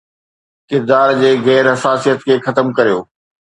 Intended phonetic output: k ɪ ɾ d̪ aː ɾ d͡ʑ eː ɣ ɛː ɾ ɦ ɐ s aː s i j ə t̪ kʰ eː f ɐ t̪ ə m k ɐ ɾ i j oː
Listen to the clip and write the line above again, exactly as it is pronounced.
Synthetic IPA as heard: k ɪ ɾ d̪ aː ɾ d͡ʑ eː ɣ ɛː ɾ ɦ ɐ s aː s i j ə t̪ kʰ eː x ɐ t̪ ə m k ɐ ɾ i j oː